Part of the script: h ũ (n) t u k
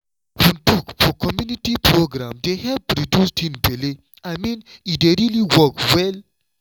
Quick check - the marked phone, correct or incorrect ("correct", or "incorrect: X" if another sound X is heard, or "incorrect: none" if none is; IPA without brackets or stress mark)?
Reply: correct